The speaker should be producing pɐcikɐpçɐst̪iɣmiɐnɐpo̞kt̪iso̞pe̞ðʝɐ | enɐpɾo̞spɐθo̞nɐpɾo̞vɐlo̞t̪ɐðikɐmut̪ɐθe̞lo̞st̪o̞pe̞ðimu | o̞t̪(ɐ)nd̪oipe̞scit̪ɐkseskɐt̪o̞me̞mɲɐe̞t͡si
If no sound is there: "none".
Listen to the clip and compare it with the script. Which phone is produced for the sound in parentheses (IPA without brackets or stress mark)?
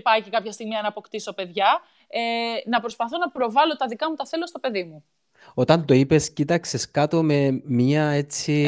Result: ɐ